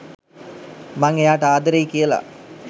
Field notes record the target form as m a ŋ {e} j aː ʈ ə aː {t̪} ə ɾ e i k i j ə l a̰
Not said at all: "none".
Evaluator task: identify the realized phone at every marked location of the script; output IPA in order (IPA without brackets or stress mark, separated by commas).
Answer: e, d̪